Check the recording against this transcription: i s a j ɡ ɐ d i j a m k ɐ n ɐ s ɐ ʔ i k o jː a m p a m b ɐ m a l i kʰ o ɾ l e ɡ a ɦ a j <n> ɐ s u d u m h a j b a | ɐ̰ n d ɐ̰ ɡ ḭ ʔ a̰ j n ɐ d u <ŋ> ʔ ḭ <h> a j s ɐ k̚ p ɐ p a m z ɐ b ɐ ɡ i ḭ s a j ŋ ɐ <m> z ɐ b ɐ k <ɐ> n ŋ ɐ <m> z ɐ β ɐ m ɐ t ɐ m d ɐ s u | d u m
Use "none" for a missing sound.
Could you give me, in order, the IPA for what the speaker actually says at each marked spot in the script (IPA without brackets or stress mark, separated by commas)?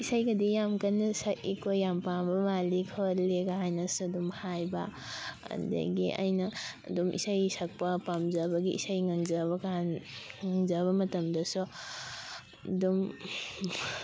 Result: n, m, s, ŋ, a, ŋ